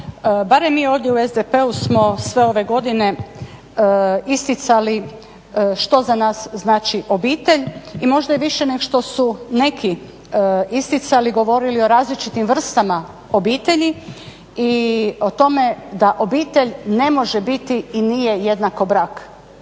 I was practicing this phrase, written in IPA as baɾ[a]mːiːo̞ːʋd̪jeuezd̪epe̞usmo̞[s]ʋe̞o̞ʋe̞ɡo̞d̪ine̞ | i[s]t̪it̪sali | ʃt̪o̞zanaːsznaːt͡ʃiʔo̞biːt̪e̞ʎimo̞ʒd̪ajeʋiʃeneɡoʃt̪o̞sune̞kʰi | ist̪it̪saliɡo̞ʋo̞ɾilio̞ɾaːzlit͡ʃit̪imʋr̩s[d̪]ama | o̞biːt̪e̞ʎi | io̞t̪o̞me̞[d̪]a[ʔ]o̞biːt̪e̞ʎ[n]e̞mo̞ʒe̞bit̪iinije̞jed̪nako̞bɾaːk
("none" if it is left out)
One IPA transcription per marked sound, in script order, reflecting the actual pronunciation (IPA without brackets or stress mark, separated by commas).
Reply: e, s, s, t̪, d̪, ʔ, n